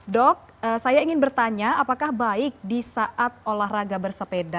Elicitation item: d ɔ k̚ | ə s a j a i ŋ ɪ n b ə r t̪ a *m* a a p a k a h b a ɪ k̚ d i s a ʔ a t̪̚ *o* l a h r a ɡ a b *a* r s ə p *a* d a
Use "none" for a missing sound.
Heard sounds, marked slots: ɲ, o, ə, e

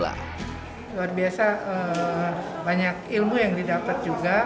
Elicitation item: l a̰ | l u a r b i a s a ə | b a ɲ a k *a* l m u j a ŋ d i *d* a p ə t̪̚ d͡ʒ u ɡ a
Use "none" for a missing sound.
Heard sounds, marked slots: i, d

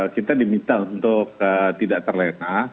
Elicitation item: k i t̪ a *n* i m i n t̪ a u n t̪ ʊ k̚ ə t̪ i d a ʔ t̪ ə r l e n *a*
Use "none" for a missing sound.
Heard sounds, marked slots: d, a

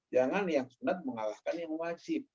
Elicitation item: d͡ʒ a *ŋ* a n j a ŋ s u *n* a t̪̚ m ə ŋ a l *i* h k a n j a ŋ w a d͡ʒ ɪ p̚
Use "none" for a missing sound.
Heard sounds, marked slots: ŋ, n, a

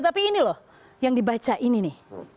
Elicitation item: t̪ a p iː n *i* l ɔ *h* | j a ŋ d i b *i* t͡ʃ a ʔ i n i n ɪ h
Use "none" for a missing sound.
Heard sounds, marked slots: i, h, a

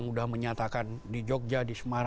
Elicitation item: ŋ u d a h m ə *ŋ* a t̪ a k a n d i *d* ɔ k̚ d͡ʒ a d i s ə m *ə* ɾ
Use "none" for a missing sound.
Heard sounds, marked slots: ɲ, d͡ʒ, a

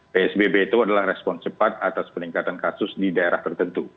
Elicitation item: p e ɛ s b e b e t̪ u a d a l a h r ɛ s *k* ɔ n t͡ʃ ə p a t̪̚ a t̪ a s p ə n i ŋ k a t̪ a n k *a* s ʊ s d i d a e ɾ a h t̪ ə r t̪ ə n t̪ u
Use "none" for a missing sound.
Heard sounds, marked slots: p, a

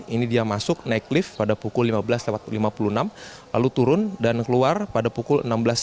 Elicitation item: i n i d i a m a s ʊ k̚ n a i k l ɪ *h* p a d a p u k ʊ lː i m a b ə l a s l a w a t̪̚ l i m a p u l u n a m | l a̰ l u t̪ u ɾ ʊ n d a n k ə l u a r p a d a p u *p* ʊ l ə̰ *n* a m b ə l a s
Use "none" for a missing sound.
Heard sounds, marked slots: f, k, n

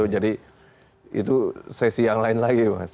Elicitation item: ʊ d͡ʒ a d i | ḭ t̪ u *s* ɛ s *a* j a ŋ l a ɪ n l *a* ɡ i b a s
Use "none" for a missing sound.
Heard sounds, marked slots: s, i, a

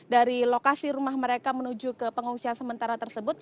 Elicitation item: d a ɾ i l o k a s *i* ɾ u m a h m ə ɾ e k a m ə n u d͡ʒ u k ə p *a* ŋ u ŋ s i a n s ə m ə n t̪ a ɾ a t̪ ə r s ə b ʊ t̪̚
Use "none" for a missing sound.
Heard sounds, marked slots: i, ə

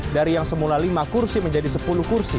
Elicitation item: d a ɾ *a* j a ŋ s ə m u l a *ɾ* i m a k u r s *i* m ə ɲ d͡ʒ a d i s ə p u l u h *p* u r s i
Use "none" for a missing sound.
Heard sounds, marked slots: i, l, i, k

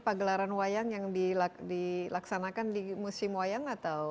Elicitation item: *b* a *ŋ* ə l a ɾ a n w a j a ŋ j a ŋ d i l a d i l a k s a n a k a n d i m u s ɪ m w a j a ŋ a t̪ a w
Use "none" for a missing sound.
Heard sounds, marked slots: p, ɡ

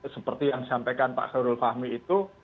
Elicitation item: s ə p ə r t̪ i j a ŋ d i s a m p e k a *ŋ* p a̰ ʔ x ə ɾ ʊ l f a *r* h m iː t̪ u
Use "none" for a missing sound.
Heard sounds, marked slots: n, none

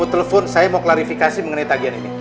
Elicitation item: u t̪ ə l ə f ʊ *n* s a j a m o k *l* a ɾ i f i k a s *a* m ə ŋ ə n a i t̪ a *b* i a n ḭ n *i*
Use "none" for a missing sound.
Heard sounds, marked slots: n, l, i, ɡ, i

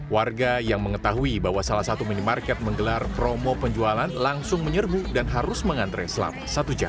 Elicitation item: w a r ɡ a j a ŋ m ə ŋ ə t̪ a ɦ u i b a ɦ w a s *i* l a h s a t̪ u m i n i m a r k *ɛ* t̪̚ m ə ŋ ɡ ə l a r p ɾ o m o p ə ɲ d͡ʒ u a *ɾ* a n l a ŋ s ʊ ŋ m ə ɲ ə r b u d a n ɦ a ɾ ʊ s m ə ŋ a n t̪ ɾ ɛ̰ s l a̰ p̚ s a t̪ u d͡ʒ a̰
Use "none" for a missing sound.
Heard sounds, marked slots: a, ɛ, l

